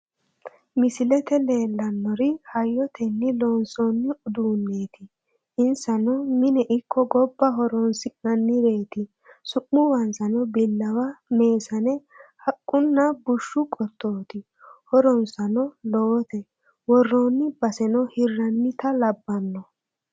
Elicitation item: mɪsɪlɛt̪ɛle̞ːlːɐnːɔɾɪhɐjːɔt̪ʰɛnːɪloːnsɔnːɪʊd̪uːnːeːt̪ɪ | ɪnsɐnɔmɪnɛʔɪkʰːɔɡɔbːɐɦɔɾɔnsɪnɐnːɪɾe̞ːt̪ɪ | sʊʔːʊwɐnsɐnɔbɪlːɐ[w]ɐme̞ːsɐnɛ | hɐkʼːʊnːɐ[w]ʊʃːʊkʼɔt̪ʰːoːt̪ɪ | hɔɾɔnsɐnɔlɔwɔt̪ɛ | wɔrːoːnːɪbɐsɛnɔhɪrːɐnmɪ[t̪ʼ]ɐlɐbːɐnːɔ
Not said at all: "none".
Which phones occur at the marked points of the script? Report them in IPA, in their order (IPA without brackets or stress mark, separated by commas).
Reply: w, b, t̪